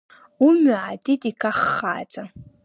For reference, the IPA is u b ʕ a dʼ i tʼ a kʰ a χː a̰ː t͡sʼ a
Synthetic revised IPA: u m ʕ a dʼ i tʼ i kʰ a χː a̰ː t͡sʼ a

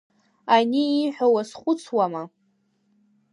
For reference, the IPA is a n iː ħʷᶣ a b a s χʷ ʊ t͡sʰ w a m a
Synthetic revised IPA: a n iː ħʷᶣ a w a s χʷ ʊ t͡sʰ w a m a

